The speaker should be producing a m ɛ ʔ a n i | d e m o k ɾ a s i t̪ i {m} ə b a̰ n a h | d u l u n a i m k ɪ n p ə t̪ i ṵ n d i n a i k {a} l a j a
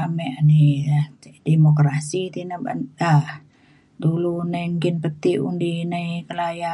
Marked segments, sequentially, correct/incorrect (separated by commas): incorrect, incorrect